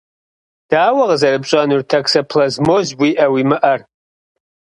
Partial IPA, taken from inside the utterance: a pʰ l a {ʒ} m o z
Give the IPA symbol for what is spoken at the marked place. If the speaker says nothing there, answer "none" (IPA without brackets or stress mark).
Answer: z